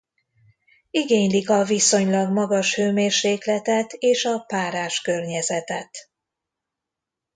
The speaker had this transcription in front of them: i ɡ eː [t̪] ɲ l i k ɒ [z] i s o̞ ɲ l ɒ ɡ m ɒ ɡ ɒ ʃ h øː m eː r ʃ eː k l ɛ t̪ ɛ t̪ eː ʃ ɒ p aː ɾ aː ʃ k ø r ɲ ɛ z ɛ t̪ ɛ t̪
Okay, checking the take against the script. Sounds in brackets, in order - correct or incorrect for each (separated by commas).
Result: incorrect, incorrect